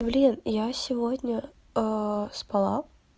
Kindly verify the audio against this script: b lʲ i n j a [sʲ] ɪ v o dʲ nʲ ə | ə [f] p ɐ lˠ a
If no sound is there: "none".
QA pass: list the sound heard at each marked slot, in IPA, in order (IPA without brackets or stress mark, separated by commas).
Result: sʲ, s